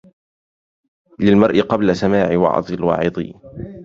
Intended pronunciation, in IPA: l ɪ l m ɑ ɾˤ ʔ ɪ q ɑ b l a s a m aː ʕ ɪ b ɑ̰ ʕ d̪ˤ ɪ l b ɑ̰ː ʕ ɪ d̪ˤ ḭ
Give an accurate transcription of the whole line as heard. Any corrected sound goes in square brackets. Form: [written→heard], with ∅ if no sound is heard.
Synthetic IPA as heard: l ɪ l m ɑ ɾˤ ʔ ɪ q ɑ b l a s a m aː ʕ ɪ [b→w] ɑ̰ ʕ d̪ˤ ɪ l [b→w] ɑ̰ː ʕ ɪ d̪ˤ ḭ